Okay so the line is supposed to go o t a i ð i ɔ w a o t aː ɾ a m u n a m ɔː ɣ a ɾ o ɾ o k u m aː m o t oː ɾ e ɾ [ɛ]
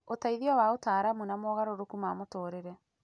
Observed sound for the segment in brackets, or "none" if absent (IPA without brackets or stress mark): ɛ